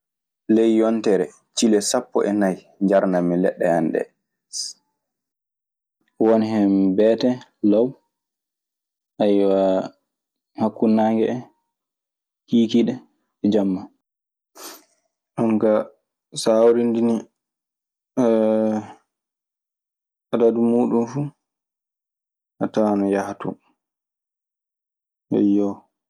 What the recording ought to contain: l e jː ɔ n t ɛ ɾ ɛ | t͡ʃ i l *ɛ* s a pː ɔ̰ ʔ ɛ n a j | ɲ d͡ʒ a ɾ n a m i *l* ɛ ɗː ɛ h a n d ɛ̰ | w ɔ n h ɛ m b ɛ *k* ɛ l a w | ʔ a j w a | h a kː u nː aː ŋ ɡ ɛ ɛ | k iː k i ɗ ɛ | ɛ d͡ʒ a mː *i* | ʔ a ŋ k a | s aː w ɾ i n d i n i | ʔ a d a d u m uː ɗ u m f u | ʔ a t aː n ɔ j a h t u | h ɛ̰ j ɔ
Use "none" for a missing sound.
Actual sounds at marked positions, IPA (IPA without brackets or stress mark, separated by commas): ɛ, l, t, a